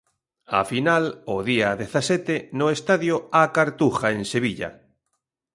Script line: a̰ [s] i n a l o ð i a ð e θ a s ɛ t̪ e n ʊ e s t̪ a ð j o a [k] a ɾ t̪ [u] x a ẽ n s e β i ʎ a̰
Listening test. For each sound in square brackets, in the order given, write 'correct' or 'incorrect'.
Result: incorrect, correct, correct

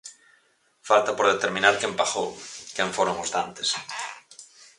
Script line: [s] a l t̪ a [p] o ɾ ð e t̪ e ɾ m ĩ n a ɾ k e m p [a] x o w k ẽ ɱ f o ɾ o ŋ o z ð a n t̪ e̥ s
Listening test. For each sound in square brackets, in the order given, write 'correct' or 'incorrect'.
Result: incorrect, correct, correct

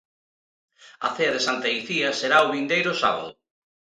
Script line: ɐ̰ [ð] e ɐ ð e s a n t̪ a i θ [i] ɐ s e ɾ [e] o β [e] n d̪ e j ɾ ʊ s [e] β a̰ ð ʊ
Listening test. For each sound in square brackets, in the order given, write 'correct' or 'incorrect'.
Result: incorrect, correct, incorrect, incorrect, incorrect

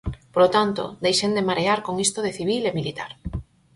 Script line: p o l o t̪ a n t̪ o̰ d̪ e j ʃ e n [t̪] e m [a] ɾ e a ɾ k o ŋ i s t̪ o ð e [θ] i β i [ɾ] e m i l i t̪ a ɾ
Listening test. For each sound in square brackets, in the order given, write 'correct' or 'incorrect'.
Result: incorrect, correct, correct, incorrect

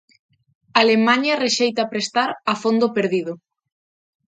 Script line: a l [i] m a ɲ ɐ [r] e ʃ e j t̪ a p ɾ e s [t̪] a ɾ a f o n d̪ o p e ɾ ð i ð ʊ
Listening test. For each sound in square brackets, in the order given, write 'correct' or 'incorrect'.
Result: incorrect, correct, correct

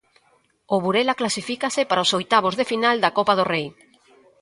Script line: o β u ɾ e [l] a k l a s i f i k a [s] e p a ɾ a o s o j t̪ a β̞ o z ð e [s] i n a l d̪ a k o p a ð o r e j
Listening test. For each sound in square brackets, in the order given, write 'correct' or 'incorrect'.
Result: correct, correct, incorrect

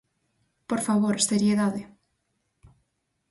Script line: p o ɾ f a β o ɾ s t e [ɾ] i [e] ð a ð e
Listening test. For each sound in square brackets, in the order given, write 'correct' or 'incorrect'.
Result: correct, correct

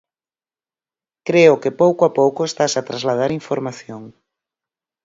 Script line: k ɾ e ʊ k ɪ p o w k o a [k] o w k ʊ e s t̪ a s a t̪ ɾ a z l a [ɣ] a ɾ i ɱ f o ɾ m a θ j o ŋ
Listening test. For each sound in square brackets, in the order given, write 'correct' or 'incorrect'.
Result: incorrect, incorrect

